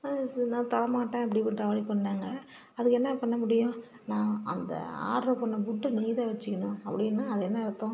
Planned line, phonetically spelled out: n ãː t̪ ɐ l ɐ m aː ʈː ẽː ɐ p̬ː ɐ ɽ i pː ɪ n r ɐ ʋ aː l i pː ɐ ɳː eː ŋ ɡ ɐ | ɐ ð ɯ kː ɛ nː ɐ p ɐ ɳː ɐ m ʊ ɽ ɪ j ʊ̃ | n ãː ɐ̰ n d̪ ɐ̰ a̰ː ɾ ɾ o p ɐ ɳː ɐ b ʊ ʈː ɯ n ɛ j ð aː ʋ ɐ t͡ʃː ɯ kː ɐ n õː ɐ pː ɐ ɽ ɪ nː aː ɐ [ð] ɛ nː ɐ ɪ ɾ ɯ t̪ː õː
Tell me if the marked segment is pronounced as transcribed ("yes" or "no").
yes